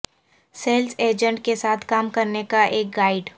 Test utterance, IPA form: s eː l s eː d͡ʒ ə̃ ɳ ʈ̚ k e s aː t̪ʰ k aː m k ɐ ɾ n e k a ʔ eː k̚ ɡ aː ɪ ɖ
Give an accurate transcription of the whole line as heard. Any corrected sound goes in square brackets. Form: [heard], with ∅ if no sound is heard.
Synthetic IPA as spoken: s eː l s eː d͡ʒ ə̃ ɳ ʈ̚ k e s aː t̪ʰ k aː m k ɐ ɾ n e k a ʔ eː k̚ ɡ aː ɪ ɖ